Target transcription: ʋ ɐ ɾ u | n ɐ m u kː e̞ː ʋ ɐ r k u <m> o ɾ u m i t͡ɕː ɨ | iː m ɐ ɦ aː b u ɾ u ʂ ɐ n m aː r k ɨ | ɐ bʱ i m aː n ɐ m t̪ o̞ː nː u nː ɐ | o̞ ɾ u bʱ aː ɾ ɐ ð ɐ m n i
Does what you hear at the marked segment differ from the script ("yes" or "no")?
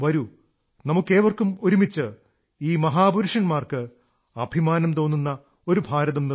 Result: no